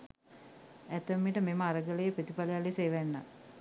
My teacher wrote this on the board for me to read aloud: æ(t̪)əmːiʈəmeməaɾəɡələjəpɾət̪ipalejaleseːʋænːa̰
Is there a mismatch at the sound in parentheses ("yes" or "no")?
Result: no